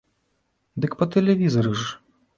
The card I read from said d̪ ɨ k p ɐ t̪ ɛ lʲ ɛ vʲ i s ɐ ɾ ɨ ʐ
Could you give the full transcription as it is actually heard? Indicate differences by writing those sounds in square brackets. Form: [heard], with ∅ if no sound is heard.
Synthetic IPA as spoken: d̪ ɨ k p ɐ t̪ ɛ lʲ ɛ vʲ i [z] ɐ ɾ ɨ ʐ